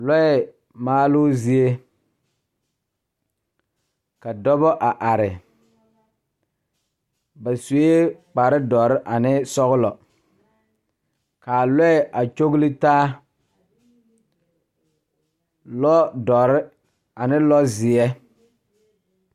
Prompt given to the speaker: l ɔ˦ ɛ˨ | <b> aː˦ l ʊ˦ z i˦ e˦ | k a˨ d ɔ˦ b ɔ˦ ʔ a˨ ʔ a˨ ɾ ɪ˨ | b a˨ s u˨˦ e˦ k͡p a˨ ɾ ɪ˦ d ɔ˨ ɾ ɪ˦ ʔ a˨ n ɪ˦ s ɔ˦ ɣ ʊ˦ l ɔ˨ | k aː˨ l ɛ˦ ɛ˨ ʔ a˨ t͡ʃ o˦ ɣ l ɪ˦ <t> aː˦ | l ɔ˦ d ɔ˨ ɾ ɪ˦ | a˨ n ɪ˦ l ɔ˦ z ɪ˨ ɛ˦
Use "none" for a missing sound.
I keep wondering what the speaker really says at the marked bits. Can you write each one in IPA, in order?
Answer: m, t

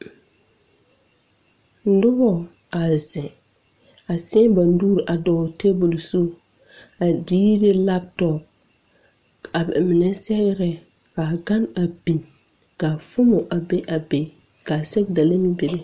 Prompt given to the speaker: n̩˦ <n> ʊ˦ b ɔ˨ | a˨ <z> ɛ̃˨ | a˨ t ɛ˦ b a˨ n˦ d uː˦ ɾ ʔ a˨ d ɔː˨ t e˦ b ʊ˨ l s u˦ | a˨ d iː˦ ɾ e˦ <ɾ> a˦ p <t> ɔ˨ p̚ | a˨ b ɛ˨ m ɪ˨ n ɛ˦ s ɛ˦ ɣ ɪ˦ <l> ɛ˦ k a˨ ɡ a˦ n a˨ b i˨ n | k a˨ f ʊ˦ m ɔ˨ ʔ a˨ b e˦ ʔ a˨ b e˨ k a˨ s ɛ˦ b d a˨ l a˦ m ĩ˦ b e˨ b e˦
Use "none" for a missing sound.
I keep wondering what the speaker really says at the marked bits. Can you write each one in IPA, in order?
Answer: d, z, l, t, ɾ

